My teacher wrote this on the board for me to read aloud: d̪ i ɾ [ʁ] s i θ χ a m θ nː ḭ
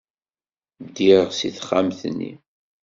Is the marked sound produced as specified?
yes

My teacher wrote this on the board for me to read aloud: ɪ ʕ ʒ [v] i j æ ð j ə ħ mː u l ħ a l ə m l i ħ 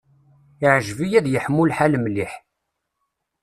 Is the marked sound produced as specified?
yes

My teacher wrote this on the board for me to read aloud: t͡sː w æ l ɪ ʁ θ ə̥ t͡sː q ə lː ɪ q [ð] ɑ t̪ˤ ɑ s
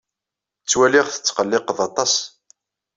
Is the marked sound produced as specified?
yes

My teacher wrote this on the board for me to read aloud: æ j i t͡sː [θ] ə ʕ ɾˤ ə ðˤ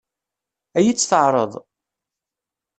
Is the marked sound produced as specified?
yes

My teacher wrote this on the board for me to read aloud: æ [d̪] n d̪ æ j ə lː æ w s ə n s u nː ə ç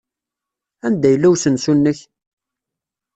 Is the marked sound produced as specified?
no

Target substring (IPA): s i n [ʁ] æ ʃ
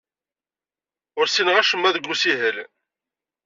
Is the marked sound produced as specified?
yes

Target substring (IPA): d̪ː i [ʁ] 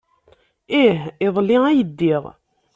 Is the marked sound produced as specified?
yes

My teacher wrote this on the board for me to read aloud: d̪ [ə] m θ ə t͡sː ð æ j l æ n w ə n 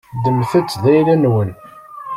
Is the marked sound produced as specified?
yes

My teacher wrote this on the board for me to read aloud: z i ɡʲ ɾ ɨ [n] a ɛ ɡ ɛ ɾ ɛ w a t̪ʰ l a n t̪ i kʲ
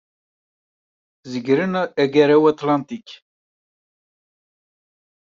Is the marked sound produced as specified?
yes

